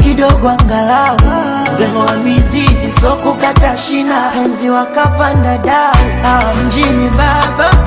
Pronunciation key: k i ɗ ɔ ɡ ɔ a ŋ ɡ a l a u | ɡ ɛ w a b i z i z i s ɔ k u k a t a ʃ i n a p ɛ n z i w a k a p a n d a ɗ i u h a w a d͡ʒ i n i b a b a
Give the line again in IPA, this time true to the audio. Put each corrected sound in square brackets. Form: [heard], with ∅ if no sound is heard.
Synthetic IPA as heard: k i ɗ ɔ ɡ ɔ a ŋ ɡ a l a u | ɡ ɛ w a [m] i z i z i s ɔ k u k a t a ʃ i n a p ɛ n z i w a k a p a n d a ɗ [a] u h a w a d͡ʒ i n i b a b a